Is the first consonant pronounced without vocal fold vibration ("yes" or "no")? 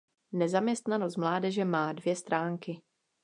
no